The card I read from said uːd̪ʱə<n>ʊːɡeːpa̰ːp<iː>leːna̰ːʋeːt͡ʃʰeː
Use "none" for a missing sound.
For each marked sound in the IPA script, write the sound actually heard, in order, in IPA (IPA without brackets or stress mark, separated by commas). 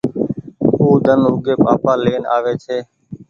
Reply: n, aː